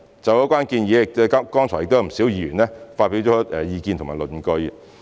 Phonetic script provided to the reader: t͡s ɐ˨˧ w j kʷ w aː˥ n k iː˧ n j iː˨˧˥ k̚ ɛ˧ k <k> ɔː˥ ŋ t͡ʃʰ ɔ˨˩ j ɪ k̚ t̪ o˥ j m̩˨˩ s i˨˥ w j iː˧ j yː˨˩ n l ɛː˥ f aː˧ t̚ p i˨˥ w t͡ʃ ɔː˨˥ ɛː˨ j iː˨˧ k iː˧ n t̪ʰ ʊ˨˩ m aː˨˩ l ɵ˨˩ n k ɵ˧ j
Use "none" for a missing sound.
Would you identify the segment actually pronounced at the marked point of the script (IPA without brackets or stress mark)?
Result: k